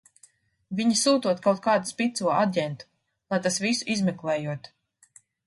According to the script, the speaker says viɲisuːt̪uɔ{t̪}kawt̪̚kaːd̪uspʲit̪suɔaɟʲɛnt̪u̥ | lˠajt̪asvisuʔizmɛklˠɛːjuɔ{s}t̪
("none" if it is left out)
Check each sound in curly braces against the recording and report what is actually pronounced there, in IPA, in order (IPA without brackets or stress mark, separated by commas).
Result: t̪, none